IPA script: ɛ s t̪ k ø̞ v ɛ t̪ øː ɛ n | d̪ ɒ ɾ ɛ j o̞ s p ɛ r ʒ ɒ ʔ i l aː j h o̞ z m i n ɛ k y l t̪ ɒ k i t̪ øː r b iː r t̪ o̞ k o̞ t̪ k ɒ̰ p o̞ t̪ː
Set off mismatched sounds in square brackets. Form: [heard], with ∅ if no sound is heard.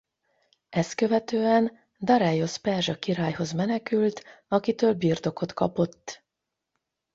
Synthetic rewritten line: ɛ s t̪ k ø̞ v ɛ t̪ øː ɛ n | d̪ ɒ ɾ ɛ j o̞ s p ɛ r ʒ ɒ [k] i [ɾ] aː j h o̞ z m [ɛ] n ɛ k y l t̪ ɒ k i t̪ øː [l] b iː r t̪ o̞ k o̞ t̪ k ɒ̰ p o̞ t̪ː